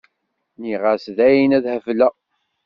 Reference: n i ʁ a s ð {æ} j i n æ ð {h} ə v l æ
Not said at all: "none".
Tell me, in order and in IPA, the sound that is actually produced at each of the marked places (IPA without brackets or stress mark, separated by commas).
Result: æ, h